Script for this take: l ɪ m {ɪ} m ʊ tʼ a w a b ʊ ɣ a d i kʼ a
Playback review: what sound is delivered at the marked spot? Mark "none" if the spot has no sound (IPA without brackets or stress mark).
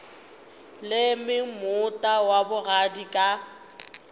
ɪ